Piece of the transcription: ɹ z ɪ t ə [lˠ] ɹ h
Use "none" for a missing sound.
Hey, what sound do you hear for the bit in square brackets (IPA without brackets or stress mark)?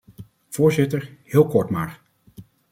none